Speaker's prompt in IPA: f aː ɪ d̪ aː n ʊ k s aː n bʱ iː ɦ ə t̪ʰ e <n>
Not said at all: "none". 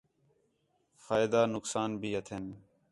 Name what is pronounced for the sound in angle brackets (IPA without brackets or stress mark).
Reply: n